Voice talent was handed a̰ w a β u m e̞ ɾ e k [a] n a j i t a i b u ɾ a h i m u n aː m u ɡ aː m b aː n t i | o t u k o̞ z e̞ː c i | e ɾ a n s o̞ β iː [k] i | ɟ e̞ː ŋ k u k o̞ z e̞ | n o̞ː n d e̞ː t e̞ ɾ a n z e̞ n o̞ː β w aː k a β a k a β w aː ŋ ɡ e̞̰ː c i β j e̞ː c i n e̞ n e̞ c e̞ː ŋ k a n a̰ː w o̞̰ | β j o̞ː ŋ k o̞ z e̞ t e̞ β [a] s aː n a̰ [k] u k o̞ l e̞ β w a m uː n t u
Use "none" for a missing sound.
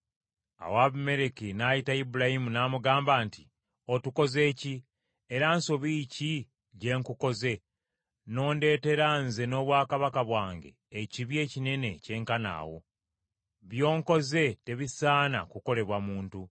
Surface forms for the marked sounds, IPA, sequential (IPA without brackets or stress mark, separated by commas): i, c, i, k